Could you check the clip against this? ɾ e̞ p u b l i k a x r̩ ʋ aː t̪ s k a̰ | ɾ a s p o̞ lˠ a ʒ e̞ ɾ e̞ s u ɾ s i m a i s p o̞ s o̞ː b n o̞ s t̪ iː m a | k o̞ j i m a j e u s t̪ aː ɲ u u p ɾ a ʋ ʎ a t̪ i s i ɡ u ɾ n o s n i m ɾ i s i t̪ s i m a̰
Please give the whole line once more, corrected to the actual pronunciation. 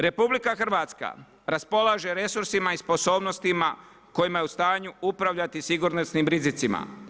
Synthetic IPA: ɾ e̞ p u b l i k a x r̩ ʋ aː t̪ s k a̰ | ɾ a s p o̞ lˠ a ʒ e̞ ɾ e̞ s u ɾ s i m a i s p o̞ s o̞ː b n o̞ s t̪ i m a | k o̞ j i m a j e u s t̪ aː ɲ u u p ɾ a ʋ ʎ a t̪ i s i ɡ u ɾ n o s n i m ɾ i z i t̪ s i m a̰

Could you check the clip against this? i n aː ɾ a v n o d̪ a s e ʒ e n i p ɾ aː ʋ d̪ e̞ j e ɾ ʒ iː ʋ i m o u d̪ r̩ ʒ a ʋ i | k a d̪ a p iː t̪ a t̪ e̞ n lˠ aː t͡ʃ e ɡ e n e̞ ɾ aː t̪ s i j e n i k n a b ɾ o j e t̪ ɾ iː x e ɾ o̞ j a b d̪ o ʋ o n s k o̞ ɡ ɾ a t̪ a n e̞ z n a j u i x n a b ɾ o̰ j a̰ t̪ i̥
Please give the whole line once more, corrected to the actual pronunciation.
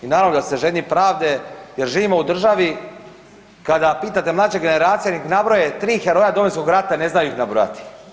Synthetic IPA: i n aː ɾ a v n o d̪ a s e ʒ e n i p ɾ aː ʋ d̪ e̞ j e ɾ ʒ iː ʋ i m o u d̪ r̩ ʒ a ʋ i | k a d̪ a p iː t̪ a t̪ e̞ m lˠ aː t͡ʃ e ɡ e n e̞ ɾ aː t̪ s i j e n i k n a b ɾ o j e t̪ ɾ iː x e ɾ o̞ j a d̪ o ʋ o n s k o̞ ɡ ɾ a t̪ a n e̞ z n a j u i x n a b ɾ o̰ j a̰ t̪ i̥

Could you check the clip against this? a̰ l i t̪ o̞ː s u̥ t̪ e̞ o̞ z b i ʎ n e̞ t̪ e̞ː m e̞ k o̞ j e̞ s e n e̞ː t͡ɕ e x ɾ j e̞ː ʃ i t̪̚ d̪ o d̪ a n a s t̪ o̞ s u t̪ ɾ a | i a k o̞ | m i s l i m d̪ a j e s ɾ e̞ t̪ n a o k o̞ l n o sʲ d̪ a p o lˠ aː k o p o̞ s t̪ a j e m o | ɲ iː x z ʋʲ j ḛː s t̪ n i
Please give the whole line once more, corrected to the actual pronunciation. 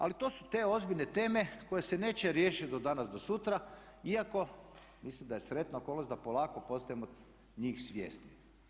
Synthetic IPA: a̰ l i t̪ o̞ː s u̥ t̪ e̞ o̞ z b i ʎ n e̞ t̪ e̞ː m e̞ k o̞ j e̞ s e n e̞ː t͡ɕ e ɾ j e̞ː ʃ i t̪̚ d̪ o d̪ a n a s d̪ o̞ s u t̪ ɾ a | i a k o̞ | m i s l i m d̪ a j e s ɾ e̞ t̪ n a o k o̞ l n o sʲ d̪ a p o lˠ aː k o p o̞ s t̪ a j e m o | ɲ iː x s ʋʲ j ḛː s t̪ n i

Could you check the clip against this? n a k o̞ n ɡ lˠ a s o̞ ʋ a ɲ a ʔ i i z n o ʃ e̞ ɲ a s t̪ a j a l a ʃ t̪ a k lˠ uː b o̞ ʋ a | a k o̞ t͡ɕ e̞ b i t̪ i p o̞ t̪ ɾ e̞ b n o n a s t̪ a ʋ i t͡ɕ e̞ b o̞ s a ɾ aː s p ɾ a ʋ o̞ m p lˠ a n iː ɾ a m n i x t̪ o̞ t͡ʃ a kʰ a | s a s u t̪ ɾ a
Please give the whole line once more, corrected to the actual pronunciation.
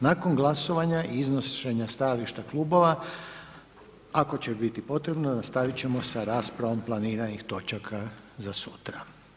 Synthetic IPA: n a k o̞ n ɡ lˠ a s o̞ ʋ a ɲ a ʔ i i z n o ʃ e̞ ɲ a s t̪ a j a l i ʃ t̪ a k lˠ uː b o̞ ʋ a | a k o̞ t͡ɕ e̞ b i t̪ i p o̞ t̪ ɾ e̞ b n o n a s t̪ a ʋ i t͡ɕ e̞ m o̞ s a ɾ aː s p ɾ a ʋ o̞ m p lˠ a n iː ɾ a n i x t̪ o̞ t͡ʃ a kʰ a | z a s u t̪ ɾ a

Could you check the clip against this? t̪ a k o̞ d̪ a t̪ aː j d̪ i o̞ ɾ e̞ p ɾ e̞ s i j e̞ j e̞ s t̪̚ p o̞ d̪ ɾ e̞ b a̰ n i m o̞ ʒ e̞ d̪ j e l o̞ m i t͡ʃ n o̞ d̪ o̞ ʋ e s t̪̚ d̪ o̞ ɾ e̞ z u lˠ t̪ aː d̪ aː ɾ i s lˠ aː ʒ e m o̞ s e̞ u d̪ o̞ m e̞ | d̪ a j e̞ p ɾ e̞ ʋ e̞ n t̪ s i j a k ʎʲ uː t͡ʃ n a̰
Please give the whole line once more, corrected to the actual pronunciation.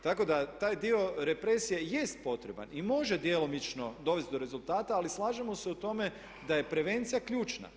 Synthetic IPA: t̪ a k o̞ d̪ a t̪ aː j d̪ i o̞ ɾ e̞ p ɾ e̞ s i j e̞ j e̞ s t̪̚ p o̞ t̪ ɾ e̞ b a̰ n i m o̞ ʒ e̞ d̪ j e l o̞ m i t͡ʃ n o̞ d̪ o̞ ʋ e s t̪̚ d̪ o̞ ɾ e̞ z u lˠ t̪ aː t̪ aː l i s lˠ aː ʒ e m o̞ s e̞ u t̪ o̞ m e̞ | d̪ a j e̞ p ɾ e̞ ʋ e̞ n t̪ s i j a k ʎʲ uː t͡ʃ n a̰

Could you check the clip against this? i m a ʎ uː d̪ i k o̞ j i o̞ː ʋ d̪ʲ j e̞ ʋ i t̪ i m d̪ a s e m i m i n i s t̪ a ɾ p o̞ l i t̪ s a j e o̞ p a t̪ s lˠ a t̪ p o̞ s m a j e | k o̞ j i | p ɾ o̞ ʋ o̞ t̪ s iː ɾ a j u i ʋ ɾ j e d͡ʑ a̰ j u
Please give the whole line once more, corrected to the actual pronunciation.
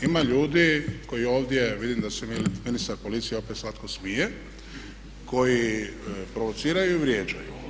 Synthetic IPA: i m a ʎ uː d̪ i k o̞ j i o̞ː ʋ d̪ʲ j e̞ ʋ i d̪ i m d̪ a s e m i m i n i s t̪ a ɾ p o̞ l i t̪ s i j e o̞ p e t̪ s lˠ a t̪ k o̞ s m i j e | k o̞ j i | p ɾ o̞ ʋ o̞ t̪ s iː ɾ a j u i ʋ ɾ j e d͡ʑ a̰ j u

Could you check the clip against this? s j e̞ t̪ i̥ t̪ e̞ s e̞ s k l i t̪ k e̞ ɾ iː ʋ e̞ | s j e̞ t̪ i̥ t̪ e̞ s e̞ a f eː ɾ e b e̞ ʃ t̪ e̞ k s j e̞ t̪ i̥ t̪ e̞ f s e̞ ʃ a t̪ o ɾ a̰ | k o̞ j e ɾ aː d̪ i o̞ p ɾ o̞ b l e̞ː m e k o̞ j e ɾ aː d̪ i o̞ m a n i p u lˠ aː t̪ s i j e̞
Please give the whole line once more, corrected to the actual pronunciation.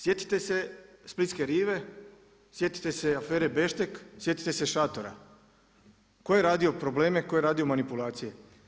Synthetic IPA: s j e̞ t̪ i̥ t̪ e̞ s e̞ s p l i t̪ k e̞ ɾ iː ʋ e̞ | s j e̞ t̪ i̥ t̪ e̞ s e̞ a f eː ɾ e b e̞ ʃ t̪ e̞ k s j e̞ t̪ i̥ t̪ e̞ s e̞ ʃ a t̪ o ɾ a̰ | k o̞ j e ɾ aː d̪ i o̞ p ɾ o̞ b l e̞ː m e k o̞ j e ɾ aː d̪ i o̞ m a n i p u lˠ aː t̪ s i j e̞

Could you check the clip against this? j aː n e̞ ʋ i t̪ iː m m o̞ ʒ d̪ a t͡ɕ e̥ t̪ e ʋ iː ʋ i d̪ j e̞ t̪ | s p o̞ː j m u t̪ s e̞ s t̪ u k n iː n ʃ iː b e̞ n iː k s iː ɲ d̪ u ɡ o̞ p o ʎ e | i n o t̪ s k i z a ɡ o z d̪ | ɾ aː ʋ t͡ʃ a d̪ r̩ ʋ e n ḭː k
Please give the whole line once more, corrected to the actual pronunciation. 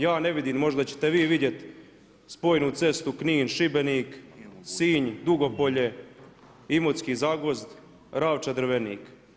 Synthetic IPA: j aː n e̞ ʋ i d̪ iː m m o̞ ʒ d̪ a t͡ɕ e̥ t̪ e ʋ iː ʋ i d̪ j e̞ t̪ | s p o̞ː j n u t̪ s e̞ s t̪ u k n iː n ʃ i b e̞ n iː k s iː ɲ d̪ u ɡ o̞ p o ʎ e | i m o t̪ s k i z a ɡ o z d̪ | ɾ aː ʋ t͡ʃ a d̪ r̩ ʋ e n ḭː k

